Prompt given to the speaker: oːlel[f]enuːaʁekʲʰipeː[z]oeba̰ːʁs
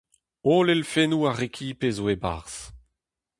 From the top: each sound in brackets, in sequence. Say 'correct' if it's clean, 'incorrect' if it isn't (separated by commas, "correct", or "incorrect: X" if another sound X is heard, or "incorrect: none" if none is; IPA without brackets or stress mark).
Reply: correct, correct